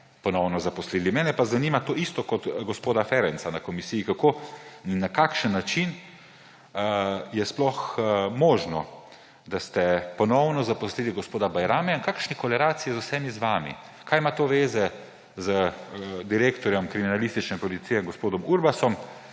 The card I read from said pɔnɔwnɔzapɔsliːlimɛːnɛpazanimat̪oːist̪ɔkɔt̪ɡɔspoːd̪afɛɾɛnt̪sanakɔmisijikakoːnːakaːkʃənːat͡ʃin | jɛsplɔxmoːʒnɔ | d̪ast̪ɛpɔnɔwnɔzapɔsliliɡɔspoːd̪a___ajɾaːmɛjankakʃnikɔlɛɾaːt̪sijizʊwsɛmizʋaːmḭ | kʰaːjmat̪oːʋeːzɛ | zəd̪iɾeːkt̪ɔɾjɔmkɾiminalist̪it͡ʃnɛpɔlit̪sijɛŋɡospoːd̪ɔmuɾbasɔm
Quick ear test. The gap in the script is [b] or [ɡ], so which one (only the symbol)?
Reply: b